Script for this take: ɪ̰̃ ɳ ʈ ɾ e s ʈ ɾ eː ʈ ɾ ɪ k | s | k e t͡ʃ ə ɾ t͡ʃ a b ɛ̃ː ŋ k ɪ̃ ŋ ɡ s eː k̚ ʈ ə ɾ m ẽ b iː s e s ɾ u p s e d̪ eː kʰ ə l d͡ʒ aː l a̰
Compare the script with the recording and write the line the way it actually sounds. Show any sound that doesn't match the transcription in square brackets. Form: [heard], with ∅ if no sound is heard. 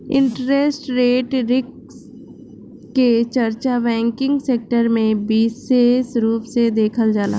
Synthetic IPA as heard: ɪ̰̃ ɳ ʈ ɾ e s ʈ ɾ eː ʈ ɾ ɪ k | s | k e t͡ʃ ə ɾ t͡ʃ a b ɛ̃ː ŋ k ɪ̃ ŋ ɡ s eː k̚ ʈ ə ɾ m ẽ b iː s e s ɾ [uː] p s e d̪ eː kʰ ə l d͡ʒ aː l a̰